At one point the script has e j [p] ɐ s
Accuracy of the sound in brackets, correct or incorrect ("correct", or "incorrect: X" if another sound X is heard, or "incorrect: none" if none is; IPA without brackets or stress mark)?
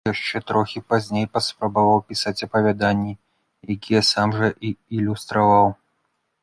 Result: correct